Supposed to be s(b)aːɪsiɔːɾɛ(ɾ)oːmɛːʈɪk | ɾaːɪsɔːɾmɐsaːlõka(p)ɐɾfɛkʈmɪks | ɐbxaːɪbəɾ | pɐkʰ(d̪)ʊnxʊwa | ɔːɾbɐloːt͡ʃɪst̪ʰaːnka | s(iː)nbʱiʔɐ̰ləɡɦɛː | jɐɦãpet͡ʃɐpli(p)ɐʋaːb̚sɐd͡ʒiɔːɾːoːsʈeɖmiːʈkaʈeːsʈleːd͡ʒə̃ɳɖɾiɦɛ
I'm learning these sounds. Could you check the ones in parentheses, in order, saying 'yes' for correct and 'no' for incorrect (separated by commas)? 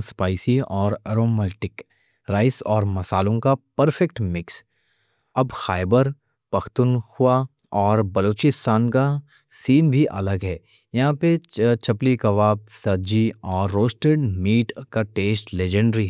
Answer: no, yes, yes, no, yes, no